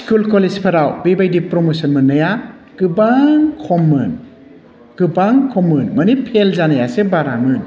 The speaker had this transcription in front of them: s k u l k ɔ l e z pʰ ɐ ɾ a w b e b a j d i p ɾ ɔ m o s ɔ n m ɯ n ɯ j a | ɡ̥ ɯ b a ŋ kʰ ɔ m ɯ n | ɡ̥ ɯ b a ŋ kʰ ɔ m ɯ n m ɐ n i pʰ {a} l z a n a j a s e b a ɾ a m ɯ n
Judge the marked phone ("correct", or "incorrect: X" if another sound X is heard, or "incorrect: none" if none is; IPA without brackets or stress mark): incorrect: e